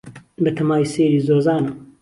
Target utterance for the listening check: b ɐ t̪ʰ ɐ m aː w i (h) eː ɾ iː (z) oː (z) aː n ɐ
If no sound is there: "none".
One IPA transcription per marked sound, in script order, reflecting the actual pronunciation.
s, z, z

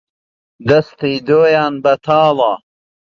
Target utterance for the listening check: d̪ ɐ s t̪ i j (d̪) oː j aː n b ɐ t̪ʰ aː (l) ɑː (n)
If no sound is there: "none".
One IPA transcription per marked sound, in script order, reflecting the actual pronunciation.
d̪, l, none

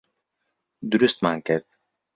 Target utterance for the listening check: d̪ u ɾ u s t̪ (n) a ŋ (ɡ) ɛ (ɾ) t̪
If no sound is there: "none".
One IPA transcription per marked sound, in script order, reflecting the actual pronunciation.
m, k, ɾ

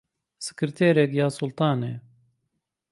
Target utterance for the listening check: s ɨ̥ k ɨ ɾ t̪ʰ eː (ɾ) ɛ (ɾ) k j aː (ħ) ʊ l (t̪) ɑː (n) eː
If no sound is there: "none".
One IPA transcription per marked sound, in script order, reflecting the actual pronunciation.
ɾ, none, s, t̪, n

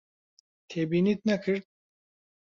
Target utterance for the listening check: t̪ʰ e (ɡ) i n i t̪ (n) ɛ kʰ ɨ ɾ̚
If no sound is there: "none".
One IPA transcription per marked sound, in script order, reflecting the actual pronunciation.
b, n

